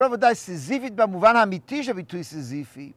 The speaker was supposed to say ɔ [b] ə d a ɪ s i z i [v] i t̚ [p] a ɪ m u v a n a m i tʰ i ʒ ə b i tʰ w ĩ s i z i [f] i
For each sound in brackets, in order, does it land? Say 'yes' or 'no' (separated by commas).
no, no, no, yes